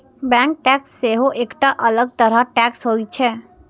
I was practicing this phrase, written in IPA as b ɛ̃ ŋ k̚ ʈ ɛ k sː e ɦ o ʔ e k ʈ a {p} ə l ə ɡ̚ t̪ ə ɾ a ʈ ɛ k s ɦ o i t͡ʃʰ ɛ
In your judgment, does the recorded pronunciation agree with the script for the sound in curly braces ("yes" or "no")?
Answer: no